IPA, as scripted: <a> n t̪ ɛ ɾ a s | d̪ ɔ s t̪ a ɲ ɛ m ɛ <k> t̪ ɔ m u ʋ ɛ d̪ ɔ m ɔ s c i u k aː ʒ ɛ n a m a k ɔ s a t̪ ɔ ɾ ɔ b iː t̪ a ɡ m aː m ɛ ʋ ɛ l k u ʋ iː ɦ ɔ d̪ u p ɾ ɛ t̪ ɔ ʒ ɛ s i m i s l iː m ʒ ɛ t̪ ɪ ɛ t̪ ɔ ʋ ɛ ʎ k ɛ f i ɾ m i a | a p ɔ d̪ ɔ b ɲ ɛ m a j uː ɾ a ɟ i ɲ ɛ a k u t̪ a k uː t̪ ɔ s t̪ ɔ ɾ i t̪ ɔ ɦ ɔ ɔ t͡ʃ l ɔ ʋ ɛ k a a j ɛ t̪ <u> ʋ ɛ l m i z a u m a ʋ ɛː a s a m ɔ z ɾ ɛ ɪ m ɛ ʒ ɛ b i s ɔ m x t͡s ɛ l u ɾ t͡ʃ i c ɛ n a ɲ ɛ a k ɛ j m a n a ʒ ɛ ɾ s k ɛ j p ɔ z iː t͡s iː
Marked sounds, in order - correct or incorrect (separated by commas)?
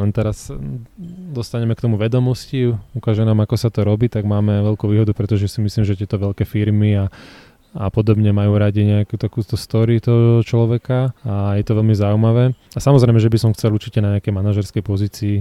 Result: incorrect, correct, incorrect